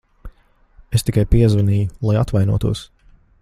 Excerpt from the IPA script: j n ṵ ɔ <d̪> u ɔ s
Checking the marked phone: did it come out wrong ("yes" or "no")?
yes